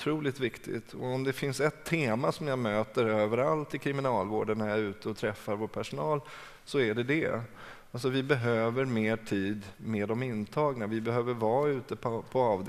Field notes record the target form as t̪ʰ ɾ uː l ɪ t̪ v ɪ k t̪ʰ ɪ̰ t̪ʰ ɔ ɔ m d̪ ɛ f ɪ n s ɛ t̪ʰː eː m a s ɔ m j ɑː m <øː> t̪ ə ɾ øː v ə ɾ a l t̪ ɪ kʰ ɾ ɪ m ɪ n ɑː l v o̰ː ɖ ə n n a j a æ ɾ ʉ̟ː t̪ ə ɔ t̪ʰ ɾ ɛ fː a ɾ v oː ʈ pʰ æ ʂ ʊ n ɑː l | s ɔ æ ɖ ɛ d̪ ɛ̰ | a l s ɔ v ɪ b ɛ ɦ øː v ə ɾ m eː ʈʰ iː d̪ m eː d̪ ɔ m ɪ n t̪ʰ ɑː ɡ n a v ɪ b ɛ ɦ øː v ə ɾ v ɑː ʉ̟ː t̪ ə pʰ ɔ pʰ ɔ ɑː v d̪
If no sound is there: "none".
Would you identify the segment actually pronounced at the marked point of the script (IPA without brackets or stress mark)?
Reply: øː